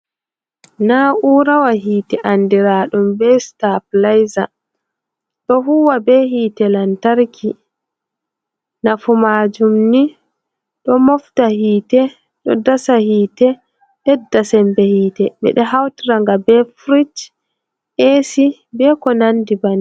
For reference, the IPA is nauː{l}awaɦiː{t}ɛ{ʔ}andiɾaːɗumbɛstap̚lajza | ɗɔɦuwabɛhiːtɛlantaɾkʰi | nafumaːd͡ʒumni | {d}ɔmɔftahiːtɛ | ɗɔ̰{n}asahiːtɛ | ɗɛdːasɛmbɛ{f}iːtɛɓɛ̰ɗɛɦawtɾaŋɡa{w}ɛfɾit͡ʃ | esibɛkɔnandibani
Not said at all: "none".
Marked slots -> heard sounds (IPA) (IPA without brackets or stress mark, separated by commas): ɾ, t, ʔ, ɗ, d, h, b